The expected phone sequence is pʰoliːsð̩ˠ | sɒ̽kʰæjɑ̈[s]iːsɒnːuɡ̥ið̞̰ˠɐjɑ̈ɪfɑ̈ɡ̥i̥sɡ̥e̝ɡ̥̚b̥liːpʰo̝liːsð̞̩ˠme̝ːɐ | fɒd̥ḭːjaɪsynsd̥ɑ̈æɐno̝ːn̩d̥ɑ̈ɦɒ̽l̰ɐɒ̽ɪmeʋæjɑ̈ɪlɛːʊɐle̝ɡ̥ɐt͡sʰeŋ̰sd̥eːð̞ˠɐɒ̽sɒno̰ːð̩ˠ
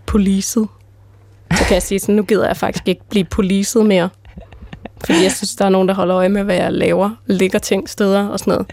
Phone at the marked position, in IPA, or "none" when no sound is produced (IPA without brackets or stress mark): s